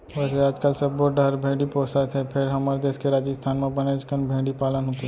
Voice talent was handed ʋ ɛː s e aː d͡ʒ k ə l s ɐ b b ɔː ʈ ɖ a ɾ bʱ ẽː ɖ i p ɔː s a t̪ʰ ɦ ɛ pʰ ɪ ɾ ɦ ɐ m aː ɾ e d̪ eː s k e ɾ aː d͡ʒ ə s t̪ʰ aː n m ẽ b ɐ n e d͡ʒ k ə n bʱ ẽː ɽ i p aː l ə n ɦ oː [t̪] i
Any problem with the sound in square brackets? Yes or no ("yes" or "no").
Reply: no